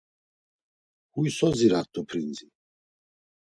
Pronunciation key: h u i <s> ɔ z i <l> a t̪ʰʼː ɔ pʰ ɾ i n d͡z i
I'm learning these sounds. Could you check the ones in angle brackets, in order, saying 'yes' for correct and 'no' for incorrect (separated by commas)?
yes, no